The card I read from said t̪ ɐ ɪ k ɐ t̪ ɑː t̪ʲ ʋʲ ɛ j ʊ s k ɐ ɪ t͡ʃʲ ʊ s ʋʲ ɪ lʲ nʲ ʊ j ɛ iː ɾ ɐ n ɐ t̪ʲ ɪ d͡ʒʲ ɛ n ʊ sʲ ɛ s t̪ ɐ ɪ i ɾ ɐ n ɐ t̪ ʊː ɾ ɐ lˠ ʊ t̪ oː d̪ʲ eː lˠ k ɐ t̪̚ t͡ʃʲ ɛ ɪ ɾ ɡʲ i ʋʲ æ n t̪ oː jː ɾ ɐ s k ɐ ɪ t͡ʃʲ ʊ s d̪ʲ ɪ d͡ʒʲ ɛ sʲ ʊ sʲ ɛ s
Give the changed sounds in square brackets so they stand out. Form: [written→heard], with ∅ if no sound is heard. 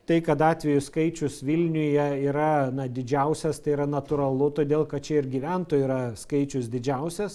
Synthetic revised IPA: t̪ ɐ ɪ k ɐ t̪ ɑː t̪ʲ ʋʲ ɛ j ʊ s k ɐ ɪ t͡ʃʲ ʊ s ʋʲ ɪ lʲ nʲ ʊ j ɛ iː ɾ ɐ n ɐ [t̪ʲ→d̪ʲ] ɪ d͡ʒʲ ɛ [n→∅] ʊ sʲ ɛ s t̪ ɐ ɪ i ɾ ɐ n ɐ t̪ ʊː ɾ ɐ lˠ ʊ t̪ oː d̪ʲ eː lˠ k ɐ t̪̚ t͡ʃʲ ɛ ɪ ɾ ɡʲ i ʋʲ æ n t̪ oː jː ɾ ɐ s k ɐ ɪ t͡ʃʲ ʊ s d̪ʲ ɪ d͡ʒʲ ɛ [sʲ→∅] ʊ sʲ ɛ s